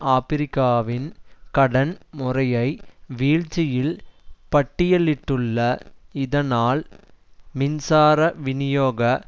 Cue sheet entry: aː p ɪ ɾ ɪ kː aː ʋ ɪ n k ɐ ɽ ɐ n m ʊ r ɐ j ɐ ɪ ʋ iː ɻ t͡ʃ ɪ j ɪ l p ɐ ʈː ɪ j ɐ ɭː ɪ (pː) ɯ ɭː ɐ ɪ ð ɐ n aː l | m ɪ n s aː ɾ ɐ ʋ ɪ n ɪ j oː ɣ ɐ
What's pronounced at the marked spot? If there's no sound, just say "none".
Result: ʈː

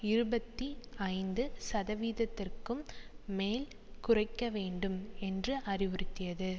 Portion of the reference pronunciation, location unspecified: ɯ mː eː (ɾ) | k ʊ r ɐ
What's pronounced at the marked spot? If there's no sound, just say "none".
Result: l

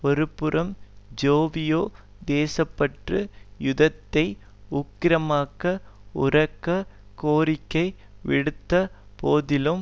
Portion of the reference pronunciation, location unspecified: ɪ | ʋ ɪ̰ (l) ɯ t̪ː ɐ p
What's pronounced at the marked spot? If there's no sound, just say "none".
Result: ɽ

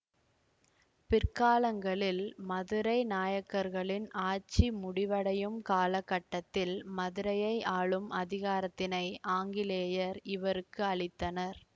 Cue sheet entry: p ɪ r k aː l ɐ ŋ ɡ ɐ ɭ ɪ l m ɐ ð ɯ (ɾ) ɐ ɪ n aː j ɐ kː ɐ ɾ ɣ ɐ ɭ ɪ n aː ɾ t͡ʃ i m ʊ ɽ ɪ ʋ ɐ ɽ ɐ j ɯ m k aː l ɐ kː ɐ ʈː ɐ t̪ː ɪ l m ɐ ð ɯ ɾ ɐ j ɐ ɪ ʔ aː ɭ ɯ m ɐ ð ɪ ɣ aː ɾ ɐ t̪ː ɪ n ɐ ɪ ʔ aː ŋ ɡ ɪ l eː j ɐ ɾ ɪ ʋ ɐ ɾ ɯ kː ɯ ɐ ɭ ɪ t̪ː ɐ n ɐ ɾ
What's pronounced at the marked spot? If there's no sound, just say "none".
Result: ɾ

